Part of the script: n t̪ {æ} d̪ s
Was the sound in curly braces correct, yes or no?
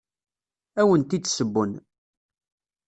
no